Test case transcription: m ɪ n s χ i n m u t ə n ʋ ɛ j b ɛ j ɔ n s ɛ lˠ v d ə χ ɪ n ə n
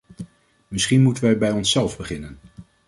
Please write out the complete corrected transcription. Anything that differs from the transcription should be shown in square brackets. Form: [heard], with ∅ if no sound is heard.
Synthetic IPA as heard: m ɪ [∅] s χ i n m u t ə n ʋ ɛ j b ɛ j ɔ n s ɛ lˠ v [b] ə χ ɪ n ə n